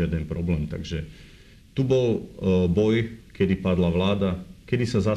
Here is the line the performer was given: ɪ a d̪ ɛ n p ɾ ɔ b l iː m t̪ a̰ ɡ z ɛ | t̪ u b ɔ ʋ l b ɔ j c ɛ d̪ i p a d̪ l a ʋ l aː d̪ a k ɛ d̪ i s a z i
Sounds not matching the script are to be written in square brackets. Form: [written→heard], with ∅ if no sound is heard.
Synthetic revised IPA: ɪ a d̪ ɛ n p ɾ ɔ b l [iː→ɛː] m t̪ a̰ ɡ [z→ʒ] ɛ | t̪ u b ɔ [ʋ→∅] l b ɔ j [c→k] ɛ d̪ i p a d̪ l a ʋ l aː d̪ a k ɛ d̪ i s a z [i→a]